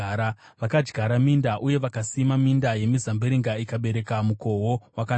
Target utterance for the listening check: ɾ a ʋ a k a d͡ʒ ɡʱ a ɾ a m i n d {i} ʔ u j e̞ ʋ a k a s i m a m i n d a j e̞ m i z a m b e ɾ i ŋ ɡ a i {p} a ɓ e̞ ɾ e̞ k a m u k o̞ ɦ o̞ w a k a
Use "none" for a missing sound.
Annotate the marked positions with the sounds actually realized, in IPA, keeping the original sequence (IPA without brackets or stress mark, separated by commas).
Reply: a, k